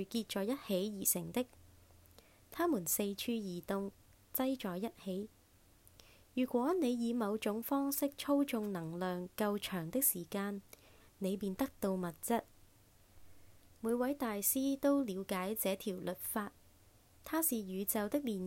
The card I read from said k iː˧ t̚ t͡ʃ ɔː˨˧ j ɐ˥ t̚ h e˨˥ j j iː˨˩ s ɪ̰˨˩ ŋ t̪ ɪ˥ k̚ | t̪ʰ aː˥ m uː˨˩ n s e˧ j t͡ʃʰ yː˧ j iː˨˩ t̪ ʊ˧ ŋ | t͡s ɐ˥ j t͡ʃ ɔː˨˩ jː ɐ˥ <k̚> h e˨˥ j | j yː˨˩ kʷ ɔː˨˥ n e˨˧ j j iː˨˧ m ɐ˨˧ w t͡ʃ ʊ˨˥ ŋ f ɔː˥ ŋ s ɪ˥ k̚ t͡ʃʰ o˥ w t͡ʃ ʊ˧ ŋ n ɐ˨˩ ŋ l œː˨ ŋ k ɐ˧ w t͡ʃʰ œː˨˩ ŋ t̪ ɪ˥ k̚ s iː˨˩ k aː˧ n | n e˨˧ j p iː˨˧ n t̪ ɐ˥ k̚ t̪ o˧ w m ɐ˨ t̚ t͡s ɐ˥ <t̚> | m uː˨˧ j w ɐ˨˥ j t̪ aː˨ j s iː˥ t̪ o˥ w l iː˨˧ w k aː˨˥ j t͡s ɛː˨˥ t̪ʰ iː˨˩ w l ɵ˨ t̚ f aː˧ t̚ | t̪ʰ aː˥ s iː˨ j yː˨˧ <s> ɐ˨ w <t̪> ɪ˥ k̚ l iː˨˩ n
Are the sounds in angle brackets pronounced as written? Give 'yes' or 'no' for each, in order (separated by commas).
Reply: no, yes, no, yes